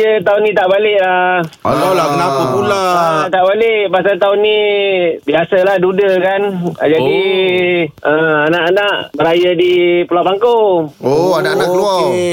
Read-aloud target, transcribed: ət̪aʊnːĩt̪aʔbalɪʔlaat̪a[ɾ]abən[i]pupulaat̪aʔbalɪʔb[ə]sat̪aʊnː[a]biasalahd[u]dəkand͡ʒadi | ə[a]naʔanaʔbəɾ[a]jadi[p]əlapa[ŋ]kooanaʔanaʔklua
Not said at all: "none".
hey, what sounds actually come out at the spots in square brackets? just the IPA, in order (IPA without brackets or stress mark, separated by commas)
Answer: l, a, a, i, u, a, a, p, ŋ